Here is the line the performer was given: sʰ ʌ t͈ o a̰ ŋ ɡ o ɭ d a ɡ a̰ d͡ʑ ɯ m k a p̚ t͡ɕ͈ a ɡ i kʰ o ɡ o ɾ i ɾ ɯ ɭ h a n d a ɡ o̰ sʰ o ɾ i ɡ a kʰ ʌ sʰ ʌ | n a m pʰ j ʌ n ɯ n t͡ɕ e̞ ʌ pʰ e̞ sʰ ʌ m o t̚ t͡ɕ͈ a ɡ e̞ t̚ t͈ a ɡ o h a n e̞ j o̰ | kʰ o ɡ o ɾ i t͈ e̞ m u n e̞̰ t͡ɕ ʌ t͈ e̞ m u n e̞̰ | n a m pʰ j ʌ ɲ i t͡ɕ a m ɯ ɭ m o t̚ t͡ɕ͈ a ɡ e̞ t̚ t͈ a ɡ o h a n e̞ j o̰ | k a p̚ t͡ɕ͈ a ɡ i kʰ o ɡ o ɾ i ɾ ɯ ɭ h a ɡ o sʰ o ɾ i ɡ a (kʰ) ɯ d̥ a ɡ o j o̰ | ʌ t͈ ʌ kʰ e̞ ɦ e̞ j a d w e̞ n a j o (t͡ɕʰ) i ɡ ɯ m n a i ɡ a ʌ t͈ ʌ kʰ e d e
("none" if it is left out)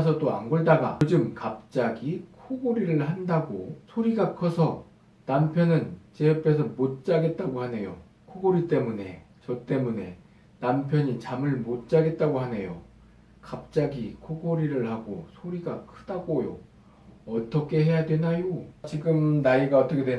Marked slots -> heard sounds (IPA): kʰ, t͡ɕ

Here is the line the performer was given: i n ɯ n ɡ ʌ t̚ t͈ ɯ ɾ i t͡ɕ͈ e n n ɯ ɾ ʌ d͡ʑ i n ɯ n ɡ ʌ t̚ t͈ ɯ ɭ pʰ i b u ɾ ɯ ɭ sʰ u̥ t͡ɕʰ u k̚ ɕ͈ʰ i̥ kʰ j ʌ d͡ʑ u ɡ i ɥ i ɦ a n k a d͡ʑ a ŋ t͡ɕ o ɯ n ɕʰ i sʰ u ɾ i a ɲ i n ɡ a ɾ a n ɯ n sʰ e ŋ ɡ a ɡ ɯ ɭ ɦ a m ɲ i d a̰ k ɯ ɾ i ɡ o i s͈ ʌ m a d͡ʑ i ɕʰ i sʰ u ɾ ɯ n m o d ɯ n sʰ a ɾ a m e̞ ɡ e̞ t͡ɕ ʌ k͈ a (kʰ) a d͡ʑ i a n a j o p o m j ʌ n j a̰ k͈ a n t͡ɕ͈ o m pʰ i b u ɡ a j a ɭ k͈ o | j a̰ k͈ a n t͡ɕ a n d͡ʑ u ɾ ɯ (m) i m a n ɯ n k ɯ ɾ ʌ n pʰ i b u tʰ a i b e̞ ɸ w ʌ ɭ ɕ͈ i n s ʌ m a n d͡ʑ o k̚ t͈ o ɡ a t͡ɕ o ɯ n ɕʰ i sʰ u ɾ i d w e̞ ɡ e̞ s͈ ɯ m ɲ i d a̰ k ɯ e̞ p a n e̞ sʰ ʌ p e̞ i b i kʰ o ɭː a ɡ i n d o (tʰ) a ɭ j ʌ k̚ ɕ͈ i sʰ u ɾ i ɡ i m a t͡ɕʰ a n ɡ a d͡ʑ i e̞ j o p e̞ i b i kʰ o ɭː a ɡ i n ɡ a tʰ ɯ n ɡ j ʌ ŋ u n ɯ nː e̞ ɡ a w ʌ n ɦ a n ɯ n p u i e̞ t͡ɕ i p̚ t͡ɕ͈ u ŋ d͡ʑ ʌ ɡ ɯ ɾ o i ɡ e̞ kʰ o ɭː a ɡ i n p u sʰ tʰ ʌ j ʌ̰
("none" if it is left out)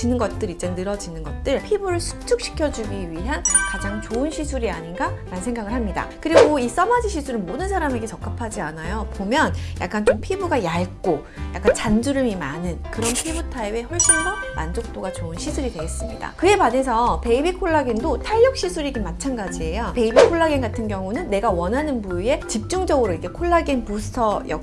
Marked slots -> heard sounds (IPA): pʰ, m, tʰ

